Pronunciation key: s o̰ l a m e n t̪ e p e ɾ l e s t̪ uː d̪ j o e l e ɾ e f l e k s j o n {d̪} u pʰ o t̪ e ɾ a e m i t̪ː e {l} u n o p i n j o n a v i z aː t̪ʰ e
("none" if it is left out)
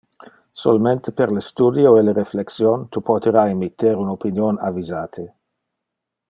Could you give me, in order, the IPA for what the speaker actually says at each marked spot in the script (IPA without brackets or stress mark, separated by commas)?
t̪, ɾ